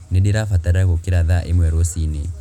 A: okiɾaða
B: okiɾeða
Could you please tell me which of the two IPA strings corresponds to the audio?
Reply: A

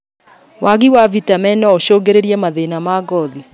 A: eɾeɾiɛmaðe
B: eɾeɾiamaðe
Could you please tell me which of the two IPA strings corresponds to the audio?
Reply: A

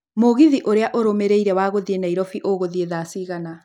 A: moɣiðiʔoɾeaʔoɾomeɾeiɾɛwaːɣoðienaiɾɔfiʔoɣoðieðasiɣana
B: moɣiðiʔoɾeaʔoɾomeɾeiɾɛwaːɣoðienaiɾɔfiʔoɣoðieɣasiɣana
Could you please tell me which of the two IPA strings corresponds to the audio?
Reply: A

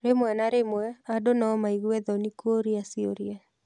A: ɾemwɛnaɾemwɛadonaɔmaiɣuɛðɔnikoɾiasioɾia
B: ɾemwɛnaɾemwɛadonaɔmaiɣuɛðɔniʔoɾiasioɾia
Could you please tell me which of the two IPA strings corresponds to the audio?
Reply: A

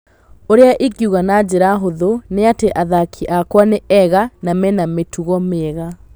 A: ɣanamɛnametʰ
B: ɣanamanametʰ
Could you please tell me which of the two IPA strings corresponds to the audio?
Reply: A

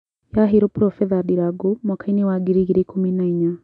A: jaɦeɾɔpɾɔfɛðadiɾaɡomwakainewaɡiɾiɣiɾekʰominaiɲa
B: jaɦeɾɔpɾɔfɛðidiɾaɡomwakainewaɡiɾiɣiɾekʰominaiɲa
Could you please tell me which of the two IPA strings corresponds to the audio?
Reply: A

